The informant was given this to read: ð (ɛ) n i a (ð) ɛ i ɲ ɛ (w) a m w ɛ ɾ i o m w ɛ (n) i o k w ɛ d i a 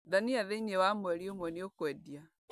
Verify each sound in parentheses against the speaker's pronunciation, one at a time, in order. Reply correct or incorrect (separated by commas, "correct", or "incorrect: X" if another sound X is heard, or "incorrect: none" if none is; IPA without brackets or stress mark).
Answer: incorrect: a, correct, correct, correct